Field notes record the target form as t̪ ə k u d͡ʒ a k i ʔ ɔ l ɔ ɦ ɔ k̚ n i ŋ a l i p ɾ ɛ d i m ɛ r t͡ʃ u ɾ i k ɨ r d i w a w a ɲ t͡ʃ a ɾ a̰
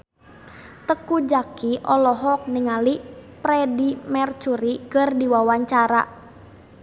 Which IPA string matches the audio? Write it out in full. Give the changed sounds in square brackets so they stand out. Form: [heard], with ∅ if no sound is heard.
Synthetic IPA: t̪ ə k u d͡ʒ a k i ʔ ɔ l ɔ ɦ ɔ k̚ n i ŋ a l i p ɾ ɛ d i m ɛ r t͡ʃ u ɾ i k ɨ r d i w a w a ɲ t͡ʃ a ɾ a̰